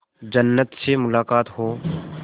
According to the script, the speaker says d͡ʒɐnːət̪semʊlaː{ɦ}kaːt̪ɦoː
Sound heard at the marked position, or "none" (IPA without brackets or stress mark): none